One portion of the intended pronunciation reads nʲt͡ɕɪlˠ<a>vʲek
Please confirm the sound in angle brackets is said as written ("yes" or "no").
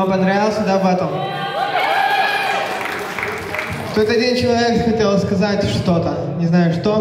no